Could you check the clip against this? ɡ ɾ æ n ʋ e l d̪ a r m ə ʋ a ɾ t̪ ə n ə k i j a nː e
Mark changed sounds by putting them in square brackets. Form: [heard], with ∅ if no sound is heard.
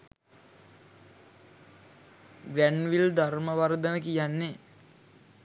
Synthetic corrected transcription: ɡ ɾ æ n ʋ [i] l d̪ a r m ə ʋ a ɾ [d̪] ə n ə k i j a nː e